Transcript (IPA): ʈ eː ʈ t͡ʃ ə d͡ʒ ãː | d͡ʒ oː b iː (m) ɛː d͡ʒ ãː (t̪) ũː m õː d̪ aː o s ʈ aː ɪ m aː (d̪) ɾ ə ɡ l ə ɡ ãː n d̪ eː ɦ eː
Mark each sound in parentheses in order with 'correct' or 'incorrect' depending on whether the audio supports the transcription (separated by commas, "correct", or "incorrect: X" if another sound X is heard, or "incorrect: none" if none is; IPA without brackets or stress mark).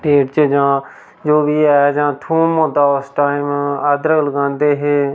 incorrect: none, incorrect: t̪ʰ, correct